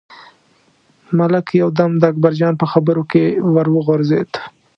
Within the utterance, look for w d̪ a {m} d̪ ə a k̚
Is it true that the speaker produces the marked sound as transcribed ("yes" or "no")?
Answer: yes